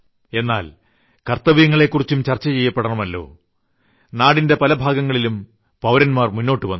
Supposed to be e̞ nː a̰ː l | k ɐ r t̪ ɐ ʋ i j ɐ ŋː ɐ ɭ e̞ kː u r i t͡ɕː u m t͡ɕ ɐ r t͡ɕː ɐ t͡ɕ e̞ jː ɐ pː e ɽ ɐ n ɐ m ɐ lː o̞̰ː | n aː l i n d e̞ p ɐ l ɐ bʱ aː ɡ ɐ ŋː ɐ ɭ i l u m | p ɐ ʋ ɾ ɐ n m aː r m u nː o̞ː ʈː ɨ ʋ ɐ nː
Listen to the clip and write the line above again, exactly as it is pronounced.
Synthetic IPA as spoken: e̞ nː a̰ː l | k ɐ r t̪ ɐ ʋ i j ɐ ŋː ɐ ɭ e̞ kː u r i t͡ɕː u m t͡ɕ ɐ r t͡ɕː ɐ t͡ɕ e̞ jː ɐ pː e ɽ ɐ ɳ ɐ m ɐ lː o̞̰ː | n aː ɽ i n d e̞ p ɐ l ɐ bʱ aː ɡ ɐ ŋː ɐ ɭ i l u m | p ɐ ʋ ɾ ɐ n m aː r m u nː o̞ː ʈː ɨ ʋ ɐ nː